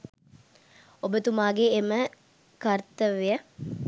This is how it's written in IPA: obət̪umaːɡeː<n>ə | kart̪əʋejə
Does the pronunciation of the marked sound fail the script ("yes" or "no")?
yes